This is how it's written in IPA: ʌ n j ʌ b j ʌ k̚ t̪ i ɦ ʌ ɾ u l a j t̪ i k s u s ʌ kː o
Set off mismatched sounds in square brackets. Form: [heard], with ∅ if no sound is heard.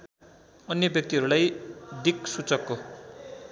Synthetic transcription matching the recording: ʌ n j ʌ b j ʌ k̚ t̪ i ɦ ʌ ɾ u l a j [d̪] i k s u [t͡s] ʌ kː o